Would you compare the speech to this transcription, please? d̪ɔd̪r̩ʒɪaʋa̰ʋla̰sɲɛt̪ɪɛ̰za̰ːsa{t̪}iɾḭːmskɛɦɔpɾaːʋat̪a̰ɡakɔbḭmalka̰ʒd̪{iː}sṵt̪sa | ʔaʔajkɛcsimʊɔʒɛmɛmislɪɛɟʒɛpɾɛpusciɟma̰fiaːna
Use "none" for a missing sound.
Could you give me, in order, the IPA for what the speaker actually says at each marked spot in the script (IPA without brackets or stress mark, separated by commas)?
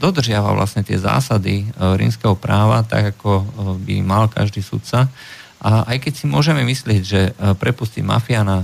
d̪, iː